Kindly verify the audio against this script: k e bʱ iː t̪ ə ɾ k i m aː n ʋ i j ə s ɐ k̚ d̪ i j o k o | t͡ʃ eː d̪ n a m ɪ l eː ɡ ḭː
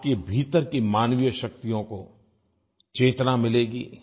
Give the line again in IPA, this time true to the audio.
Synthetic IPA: k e bʱ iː t̪ ə ɾ k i m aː n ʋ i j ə ʃ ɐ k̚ t̪ i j õ k o | t͡ʃ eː t̪ n a m ɪ l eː ɡ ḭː